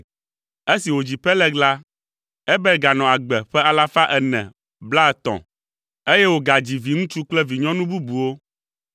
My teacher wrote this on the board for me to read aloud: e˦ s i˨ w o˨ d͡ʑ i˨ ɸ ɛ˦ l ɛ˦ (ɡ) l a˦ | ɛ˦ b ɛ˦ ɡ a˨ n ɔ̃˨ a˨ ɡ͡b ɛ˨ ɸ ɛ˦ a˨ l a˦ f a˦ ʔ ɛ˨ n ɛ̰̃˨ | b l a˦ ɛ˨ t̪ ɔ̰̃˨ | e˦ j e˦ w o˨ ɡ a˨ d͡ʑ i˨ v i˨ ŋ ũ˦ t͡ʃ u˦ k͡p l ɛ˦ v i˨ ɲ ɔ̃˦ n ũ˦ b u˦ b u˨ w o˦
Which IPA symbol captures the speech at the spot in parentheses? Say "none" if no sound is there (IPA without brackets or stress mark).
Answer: ɡ